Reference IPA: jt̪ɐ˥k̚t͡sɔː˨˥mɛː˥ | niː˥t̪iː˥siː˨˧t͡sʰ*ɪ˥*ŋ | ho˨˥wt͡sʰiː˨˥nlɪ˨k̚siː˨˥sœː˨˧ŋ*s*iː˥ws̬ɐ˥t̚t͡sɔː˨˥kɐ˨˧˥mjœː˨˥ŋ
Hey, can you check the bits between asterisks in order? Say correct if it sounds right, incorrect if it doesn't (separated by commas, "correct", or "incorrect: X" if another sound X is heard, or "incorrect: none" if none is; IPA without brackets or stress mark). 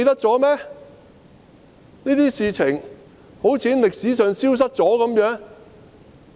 incorrect: ɪ˨˩, correct